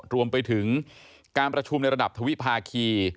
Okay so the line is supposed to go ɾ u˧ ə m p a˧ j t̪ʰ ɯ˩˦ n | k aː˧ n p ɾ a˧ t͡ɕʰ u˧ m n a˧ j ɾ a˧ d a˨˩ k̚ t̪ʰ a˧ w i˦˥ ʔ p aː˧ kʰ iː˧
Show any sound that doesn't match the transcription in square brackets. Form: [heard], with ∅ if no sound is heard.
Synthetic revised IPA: ɾ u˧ ə m p a˧ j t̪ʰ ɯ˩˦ [ŋ] | k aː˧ n p ɾ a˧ t͡ɕʰ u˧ m n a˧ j ɾ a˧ d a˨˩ [p̚] t̪ʰ a˧ w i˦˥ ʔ [pʰ] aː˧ kʰ iː˧